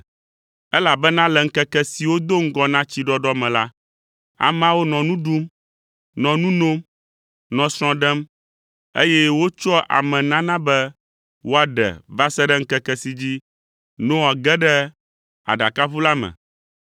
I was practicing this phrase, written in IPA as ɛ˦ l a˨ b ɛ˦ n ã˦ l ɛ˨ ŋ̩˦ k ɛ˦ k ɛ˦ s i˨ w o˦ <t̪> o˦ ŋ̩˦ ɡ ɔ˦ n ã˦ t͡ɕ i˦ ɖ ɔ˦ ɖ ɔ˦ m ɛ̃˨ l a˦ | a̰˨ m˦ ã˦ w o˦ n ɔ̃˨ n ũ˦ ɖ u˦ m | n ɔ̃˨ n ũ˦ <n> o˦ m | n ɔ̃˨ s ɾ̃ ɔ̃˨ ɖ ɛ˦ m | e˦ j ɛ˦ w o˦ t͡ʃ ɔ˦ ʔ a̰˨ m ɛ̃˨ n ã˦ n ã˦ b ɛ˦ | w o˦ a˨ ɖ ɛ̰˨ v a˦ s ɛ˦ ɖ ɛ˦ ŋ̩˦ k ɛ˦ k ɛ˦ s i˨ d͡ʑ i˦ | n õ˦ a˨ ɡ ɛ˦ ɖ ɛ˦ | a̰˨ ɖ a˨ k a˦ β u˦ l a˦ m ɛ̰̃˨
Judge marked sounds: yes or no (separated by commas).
no, yes